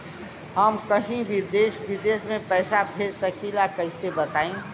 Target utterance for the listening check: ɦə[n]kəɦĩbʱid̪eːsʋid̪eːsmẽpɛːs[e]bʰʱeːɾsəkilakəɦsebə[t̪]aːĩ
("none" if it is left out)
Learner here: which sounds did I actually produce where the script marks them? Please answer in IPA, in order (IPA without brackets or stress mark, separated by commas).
m, a, t̪